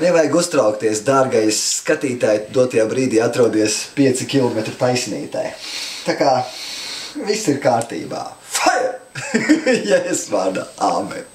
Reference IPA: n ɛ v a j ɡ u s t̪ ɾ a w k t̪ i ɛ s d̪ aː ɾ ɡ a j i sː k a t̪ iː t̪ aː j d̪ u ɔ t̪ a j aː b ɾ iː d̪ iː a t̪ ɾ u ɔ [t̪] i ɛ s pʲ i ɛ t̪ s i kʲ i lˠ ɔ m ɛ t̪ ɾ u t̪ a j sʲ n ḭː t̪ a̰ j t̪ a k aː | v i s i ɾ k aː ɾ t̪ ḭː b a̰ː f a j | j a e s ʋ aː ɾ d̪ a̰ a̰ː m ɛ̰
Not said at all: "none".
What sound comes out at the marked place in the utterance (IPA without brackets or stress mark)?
d̪